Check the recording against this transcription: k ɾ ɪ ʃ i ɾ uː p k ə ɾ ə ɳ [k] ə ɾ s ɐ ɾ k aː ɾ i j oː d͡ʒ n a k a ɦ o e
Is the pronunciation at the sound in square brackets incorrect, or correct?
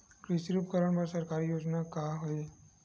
incorrect